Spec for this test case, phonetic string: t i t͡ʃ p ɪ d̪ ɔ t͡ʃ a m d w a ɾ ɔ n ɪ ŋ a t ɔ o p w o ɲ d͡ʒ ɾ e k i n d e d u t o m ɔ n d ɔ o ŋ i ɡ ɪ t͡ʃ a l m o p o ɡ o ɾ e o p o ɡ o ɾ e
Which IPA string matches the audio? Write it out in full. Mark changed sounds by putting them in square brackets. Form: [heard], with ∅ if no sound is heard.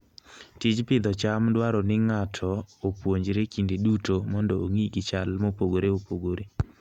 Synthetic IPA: t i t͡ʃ p ɪ d̪ ɔ t͡ʃ a m d w a ɾ ɔ n ɪ ŋ a [tʰ] ɔ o p w o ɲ d͡ʒ ɾ e k i n d e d u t o m ɔ n d ɔ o ŋ i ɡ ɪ t͡ʃ a l m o p o ɡ o ɾ e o p o ɡ o ɾ e